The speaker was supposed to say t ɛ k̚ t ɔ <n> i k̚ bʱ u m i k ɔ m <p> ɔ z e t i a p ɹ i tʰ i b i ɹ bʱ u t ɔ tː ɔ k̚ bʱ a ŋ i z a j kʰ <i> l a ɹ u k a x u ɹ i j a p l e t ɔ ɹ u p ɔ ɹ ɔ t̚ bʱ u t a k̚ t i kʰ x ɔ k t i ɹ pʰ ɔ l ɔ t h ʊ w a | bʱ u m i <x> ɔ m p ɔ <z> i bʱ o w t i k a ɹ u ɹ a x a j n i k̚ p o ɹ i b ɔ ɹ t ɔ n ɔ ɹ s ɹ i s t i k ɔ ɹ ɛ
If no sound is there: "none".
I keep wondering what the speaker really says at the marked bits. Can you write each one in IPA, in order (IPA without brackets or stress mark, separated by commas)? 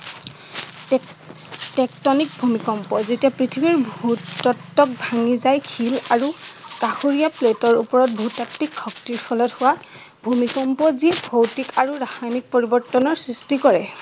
n, p, i, k, z